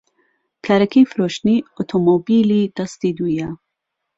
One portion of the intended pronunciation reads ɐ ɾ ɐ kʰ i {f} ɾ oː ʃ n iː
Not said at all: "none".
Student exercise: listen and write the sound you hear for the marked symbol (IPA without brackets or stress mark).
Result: f